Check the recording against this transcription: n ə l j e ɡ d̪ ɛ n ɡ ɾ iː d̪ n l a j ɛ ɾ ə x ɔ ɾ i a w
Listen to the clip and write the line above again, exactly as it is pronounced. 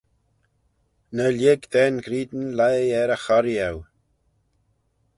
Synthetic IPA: n ə l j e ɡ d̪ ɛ n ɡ ɾ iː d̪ n l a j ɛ ɾ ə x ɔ ɾ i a w